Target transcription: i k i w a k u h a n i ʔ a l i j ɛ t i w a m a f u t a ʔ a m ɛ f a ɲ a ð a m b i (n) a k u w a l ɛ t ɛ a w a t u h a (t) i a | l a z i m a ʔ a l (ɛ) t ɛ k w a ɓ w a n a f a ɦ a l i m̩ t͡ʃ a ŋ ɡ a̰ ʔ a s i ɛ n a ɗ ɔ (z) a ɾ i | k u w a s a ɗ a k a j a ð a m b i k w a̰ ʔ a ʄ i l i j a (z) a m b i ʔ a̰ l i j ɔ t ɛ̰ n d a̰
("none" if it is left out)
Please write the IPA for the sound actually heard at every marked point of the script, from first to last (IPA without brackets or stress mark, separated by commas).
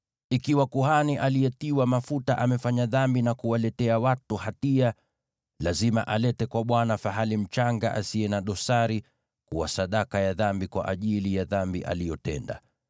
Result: n, t, ɛ, s, ð